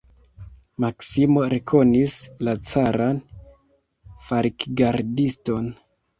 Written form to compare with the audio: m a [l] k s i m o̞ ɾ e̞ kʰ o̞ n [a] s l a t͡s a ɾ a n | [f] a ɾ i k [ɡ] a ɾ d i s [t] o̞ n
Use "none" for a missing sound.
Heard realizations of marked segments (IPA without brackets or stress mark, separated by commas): none, i, f, ɡ, t